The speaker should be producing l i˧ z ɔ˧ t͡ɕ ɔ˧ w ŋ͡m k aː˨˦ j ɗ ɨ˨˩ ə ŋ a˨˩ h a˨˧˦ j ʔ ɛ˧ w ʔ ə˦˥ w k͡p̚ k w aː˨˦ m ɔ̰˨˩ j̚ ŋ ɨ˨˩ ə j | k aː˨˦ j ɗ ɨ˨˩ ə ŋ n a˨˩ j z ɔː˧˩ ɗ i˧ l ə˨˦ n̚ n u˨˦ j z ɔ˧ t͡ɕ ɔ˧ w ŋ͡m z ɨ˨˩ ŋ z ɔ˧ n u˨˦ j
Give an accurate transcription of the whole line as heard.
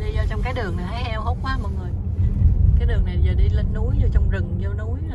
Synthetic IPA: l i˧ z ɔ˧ t͡ɕ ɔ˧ w ŋ͡m k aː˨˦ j ɗ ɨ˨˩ ə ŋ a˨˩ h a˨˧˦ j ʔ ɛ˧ w ʔ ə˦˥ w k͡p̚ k w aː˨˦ m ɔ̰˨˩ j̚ ŋ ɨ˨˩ ə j | k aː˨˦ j ɗ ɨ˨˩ ə ŋ n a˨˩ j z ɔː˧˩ ɗ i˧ l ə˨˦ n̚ n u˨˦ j z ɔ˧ t͡ɕ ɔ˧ w ŋ͡m z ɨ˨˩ ŋ z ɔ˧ n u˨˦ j